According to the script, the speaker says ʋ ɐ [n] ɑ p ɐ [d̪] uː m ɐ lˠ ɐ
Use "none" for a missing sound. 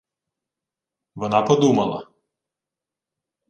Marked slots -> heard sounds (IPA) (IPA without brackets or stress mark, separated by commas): n, d̪